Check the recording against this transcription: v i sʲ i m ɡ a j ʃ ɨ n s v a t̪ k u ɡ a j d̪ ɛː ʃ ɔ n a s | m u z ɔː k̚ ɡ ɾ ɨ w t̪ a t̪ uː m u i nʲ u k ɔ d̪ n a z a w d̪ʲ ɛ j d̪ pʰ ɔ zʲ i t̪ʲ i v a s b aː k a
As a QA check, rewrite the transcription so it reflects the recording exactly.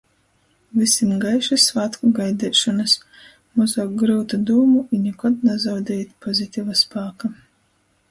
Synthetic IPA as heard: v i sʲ i m ɡ a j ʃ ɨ s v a t̪ k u ɡ a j d̪ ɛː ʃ ɔ n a s | m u z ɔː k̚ ɡ ɾ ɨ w t̪ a d̪ uː m u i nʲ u k ɔ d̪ n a z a w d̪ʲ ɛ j t̪ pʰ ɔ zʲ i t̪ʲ i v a s p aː k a